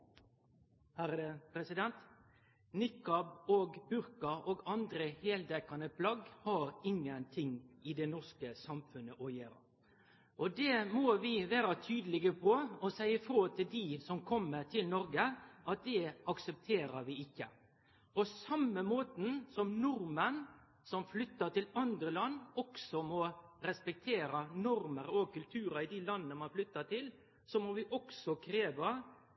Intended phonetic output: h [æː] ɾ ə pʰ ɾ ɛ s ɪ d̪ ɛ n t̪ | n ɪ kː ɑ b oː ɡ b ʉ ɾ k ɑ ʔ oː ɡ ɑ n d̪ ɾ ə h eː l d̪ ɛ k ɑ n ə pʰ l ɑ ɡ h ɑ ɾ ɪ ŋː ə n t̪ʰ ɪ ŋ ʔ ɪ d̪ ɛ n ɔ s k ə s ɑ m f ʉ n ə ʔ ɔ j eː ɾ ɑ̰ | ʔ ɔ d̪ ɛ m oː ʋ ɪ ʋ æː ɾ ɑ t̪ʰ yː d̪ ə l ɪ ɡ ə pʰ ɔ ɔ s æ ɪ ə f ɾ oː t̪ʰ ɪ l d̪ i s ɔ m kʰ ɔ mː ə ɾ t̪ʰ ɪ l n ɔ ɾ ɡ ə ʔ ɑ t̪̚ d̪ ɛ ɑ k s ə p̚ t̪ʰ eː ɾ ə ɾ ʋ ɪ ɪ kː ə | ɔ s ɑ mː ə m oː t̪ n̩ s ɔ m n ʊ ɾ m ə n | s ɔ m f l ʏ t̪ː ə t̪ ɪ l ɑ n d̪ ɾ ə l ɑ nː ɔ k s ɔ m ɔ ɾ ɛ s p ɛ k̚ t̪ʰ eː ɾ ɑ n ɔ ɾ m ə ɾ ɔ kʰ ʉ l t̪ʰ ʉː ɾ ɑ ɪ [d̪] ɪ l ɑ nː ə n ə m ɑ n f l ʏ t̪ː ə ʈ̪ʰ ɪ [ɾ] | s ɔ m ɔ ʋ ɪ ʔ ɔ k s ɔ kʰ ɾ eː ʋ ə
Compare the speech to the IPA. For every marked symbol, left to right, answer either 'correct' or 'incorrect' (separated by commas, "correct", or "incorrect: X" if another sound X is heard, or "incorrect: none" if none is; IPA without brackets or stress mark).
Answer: incorrect: æ, correct, incorrect: l